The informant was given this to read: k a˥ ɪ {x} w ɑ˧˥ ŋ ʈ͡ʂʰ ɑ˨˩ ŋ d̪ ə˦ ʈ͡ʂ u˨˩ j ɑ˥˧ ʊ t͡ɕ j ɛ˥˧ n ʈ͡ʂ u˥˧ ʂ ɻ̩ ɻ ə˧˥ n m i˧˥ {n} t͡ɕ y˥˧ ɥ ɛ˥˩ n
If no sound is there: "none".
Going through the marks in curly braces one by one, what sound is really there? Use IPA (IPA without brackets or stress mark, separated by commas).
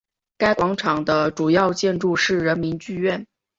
k, n